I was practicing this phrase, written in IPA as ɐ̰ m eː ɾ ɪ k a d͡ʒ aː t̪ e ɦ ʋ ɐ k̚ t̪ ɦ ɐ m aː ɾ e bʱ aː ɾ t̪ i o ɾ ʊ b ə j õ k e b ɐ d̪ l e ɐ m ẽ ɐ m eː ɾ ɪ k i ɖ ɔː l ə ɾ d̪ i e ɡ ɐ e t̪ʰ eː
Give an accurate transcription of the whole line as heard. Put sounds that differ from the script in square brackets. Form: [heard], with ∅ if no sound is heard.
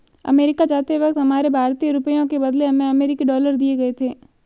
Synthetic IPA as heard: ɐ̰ m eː ɾ ɪ k a d͡ʒ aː t̪ e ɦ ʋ ɐ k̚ t̪ ɦ ɐ m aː ɾ e bʱ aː ɾ t̪ i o ɾ ʊ [p] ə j õ k e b ɐ d̪ l e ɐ m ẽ ɐ m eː ɾ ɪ k i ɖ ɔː l ə ɾ d̪ i e ɡ ɐ e t̪ʰ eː